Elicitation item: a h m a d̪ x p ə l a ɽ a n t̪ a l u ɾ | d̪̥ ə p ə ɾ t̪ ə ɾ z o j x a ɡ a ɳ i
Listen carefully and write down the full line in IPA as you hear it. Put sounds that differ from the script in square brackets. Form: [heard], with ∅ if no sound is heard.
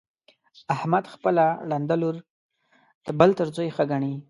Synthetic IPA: a h m a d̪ x p ə l a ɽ a n [d̪] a l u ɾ | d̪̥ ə [b] ə [l] t̪ ə ɾ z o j x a ɡ a ɳ i